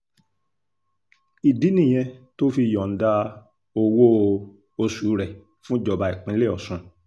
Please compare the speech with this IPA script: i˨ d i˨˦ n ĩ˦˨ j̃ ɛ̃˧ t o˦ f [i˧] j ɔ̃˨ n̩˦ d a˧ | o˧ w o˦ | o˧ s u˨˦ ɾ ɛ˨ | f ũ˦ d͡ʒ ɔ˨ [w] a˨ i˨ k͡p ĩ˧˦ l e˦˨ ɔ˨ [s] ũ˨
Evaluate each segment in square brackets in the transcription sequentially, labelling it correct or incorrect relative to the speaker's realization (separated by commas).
correct, incorrect, correct